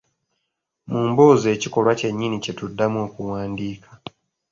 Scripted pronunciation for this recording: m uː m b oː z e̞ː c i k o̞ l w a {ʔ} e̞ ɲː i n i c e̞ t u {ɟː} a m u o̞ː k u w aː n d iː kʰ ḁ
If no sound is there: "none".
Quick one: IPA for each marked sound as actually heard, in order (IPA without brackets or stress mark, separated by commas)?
c, dː